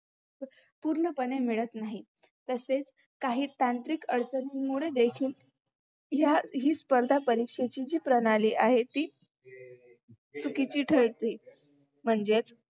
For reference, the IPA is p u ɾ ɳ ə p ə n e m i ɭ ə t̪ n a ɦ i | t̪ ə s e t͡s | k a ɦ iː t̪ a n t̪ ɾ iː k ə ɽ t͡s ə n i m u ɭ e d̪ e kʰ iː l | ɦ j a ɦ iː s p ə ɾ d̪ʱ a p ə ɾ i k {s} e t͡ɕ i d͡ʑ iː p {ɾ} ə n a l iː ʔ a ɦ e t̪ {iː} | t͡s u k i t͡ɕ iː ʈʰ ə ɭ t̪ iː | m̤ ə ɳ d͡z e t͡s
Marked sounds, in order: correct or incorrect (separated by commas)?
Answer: incorrect, correct, correct